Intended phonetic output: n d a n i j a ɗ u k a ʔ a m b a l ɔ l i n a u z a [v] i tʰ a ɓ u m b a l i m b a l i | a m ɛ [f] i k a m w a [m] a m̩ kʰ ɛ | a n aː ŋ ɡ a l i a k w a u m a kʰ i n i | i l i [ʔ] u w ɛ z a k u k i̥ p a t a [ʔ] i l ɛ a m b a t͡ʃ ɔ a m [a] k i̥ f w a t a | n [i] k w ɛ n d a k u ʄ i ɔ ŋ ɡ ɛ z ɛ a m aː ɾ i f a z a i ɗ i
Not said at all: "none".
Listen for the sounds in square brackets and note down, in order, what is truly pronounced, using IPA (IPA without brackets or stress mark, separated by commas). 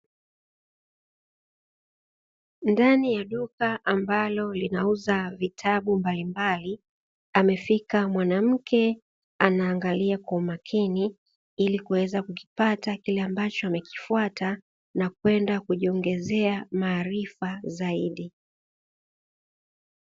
v, f, n, k, k, ɛ, a